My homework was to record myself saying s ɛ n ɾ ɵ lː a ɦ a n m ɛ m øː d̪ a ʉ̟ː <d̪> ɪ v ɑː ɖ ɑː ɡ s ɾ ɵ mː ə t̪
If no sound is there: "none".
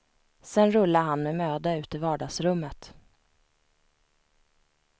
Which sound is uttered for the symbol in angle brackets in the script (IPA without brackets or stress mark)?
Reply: t̪